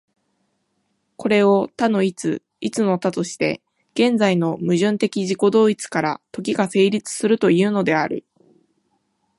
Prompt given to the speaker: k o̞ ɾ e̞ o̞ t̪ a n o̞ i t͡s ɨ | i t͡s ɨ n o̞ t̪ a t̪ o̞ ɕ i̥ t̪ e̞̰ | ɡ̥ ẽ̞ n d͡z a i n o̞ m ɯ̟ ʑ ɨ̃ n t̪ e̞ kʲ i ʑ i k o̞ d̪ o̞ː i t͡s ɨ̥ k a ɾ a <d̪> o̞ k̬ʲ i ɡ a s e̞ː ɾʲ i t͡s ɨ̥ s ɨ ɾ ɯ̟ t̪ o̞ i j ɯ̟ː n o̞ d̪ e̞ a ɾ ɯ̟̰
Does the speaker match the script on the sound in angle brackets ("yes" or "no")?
no